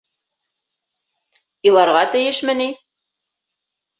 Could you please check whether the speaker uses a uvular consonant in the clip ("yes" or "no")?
yes